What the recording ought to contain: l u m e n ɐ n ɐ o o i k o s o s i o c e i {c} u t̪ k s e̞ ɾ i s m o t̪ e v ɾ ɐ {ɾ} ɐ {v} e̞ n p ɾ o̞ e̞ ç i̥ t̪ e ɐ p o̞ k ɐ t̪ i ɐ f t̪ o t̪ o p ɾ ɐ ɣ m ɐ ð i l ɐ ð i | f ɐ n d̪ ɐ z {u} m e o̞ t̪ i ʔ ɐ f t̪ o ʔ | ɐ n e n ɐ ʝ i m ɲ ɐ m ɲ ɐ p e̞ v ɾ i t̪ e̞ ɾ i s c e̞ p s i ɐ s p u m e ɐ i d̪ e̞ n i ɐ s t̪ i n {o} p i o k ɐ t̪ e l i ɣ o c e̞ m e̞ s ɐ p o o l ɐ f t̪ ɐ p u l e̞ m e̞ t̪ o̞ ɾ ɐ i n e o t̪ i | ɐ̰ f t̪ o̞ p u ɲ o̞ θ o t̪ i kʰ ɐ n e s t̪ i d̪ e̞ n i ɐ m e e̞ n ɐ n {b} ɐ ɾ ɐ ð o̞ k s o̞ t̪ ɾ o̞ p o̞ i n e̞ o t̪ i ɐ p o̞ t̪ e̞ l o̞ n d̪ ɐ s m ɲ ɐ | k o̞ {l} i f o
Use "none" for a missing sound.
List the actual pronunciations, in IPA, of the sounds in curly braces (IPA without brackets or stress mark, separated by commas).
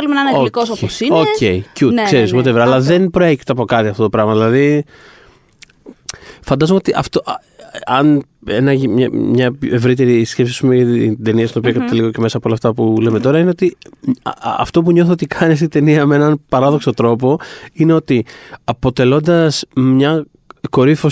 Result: c, l, ð, o, o, p, ɾ